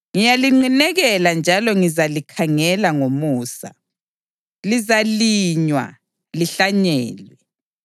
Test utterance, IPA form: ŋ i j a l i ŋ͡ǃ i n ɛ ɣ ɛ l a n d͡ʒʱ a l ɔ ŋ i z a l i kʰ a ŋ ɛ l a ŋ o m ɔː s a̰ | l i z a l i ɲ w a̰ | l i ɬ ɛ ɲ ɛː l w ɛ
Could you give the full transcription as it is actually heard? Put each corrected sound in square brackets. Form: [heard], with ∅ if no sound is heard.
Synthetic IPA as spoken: ŋ i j a l i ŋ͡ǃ i n ɛ ɣ ɛ l a n d͡ʒʱ a l ɔ ŋ i z a l i kʰ a ŋ ɛ l a ŋ o m [uː] s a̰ | l i z a l i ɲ w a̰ | l i ɬ [a] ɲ ɛː l w ɛ

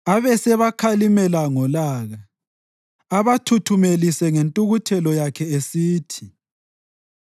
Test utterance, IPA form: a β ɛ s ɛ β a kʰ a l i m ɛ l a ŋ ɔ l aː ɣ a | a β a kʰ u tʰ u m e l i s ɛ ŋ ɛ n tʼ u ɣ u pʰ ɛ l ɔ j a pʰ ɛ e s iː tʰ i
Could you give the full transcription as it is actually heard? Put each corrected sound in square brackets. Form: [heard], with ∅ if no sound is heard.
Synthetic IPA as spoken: a β ɛ s ɛ β a kʰ a l i m ɛ l a ŋ ɔ l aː ɣ a | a β a [tʰ] u tʰ u m e l i s ɛ ŋ [e] n tʼ u ɣ u [tʰ] ɛ l ɔ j a [kʰ] ɛ e s iː tʰ i

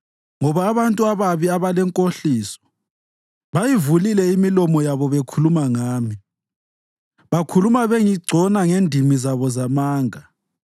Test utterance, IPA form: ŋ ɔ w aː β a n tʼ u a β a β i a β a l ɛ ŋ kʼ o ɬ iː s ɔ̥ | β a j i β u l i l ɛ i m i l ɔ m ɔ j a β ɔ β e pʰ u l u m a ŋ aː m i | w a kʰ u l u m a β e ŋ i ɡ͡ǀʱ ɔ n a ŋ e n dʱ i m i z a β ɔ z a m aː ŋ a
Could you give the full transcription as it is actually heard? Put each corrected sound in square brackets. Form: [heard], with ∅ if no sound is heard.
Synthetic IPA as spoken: ŋ ɔ [β] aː β a n tʼ u a β a β i a β a l ɛ ŋ kʼ o ɬ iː s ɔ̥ | β a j i [v] u l i l ɛ i m i l ɔ m ɔ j a β ɔ β e [kʰ] u l u m a ŋ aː m i | [β] a kʰ u l u m a β e ŋ i ɡ͡ǀʱ ɔ n a ŋ e n dʱ i m i z a β ɔ z a m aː ŋ a

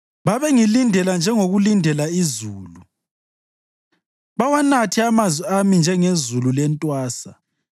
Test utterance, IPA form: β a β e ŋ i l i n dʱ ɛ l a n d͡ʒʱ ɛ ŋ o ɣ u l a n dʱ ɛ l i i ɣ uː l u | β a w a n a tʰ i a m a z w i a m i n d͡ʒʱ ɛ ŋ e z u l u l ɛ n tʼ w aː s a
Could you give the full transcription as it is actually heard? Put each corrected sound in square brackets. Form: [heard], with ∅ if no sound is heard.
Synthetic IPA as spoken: β a β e ŋ i l i n dʱ ɛ l a n d͡ʒʱ ɛ ŋ o ɣ u l [i] n dʱ ɛ l [a] i [z] uː l u | β a w a n a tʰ i a m a z w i a m i n d͡ʒʱ ɛ ŋ e z u l u l ɛ n tʼ w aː s a

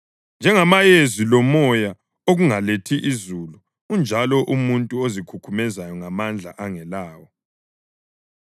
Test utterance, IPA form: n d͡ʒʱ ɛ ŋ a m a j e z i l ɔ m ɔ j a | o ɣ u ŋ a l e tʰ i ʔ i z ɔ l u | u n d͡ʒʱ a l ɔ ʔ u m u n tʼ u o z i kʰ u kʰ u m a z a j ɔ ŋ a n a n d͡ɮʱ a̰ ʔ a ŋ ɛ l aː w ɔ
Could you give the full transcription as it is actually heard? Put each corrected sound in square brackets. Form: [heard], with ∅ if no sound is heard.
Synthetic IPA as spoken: n d͡ʒʱ ɛ ŋ a m a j e z i l ɔ m ɔ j a | o ɣ u ŋ a l e tʰ i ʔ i z [u] l u | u n d͡ʒʱ a l ɔ ʔ u m u n tʼ u o z i kʰ u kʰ u m [ɛ] z a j ɔ ŋ a [m] a n d͡ɮʱ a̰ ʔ a ŋ ɛ l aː w ɔ

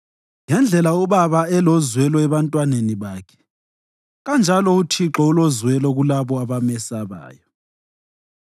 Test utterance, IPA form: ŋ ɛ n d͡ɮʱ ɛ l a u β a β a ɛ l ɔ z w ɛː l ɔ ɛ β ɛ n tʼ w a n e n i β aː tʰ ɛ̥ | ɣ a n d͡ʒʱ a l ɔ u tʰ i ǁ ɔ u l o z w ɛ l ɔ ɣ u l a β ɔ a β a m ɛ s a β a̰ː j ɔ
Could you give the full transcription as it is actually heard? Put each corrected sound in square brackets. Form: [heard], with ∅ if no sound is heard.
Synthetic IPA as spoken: ŋ ɛ n d͡ɮʱ ɛ l a u β a β a ɛ l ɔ z w [ɛ] l ɔ ɛ β [a] n tʼ w a n e n i β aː [kʰ] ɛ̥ | ɣ a n d͡ʒʱ a l ɔ u tʰ i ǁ ɔ u l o z w ɛ l ɔ ɣ u l a β ɔ a β a m ɛ s a β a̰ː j ɔ

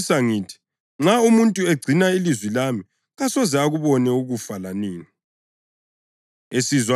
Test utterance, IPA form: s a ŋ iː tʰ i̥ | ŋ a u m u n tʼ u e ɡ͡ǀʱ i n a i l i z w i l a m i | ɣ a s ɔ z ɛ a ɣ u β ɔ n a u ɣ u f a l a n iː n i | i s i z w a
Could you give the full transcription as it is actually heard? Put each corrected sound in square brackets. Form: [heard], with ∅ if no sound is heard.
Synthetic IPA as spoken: s a ŋ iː tʰ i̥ | [ŋ͡ǁ] a u m u n tʼ u e ɡ͡ǀʱ i n a i l i z w i l a m i | ɣ a s ɔ z ɛ a ɣ u β ɔ n [ɛ] u ɣ u f a l a n iː n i | [e] s i z w a

